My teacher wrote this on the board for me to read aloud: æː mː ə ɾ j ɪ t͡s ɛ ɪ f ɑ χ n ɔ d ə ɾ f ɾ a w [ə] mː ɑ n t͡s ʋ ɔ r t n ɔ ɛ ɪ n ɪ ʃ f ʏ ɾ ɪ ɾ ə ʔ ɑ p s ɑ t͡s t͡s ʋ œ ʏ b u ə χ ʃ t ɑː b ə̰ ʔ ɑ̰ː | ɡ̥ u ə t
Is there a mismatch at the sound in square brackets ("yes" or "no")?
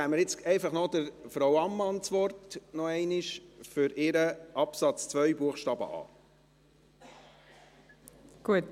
yes